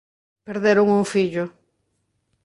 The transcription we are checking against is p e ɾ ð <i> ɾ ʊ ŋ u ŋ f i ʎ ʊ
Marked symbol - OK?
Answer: no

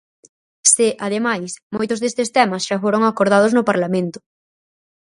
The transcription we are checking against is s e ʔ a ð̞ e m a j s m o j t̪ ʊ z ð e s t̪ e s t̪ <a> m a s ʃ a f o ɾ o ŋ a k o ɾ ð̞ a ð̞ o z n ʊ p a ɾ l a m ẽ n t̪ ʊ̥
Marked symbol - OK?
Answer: no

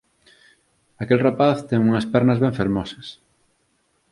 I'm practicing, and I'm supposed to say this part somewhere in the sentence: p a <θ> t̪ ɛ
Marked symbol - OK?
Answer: yes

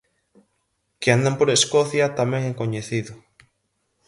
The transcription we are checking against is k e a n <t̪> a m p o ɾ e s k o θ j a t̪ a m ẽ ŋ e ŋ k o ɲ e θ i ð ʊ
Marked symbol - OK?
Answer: no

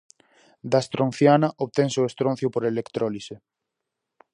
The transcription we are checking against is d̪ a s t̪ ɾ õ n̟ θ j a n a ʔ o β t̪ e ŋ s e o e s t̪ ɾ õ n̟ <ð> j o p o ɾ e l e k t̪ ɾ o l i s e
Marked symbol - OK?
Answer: no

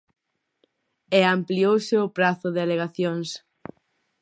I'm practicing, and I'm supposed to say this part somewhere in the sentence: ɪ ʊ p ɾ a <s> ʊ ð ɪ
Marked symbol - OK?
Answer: no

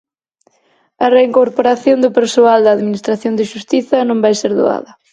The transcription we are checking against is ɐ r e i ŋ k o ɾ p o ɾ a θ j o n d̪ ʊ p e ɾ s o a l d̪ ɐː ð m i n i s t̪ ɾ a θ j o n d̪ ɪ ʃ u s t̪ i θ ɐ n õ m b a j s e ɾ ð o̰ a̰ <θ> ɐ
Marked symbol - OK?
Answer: no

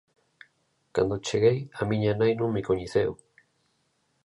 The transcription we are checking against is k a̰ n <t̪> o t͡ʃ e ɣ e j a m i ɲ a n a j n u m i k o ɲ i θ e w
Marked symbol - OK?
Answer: no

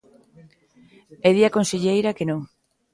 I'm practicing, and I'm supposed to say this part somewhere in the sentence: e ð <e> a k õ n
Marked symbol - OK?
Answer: no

